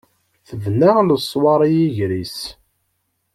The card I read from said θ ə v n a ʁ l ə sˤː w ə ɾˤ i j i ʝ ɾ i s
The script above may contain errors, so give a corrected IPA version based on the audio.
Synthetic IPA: θ ə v n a ʁ l ə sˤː w ɑ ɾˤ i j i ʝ ɾ i s